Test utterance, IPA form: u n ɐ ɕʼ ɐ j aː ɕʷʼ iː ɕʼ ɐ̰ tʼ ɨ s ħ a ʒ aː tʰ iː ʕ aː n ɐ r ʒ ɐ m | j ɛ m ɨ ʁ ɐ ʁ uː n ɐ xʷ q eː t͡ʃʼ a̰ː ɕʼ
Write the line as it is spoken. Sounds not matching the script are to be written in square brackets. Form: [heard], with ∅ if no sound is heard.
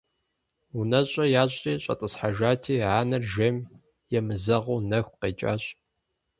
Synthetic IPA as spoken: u n ɐ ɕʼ ɐ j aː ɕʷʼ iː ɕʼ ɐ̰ tʼ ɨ s ħ a ʒ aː tʰ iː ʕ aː n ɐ r ʒ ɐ m | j ɛ m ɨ [z] ɐ ʁ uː n ɐ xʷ q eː t͡ʃʼ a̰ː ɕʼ